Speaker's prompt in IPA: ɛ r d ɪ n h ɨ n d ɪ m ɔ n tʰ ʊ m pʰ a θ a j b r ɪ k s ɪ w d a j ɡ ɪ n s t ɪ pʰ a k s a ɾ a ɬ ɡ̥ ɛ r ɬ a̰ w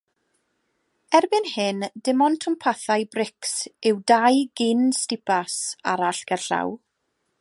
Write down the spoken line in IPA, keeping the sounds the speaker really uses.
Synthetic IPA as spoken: ɛ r b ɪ n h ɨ n d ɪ m ɔ n tʰ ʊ m pʰ a θ a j b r ɪ k s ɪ w d a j ɡ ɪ n s t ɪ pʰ a s a ɾ a ɬ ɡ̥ ɛ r ɬ a̰ w